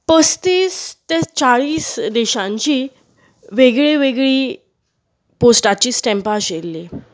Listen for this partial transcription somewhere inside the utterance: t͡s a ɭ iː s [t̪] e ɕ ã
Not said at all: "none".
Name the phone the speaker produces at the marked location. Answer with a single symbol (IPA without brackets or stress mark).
d̪